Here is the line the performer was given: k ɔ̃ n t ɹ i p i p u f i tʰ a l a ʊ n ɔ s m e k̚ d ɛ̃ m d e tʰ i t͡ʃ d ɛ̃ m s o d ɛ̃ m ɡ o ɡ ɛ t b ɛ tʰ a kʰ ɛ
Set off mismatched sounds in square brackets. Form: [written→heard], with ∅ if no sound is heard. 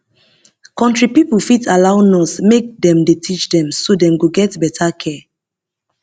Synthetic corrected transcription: k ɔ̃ n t ɹ i p i p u f i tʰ a l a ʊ n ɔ s m e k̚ d ɛ̃ m d e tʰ i t͡ʃ d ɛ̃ m s o d ɛ̃ m ɡ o ɡ ɛ t b ɛ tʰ a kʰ ɛ